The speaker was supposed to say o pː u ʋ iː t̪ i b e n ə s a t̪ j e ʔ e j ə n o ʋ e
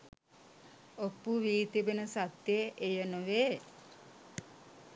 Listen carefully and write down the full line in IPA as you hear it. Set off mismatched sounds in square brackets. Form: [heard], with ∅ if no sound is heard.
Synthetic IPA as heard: o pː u ʋ iː t̪ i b e n ə s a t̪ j e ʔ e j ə n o ʋ e